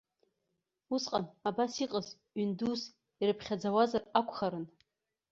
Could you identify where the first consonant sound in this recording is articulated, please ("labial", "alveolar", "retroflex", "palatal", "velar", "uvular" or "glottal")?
alveolar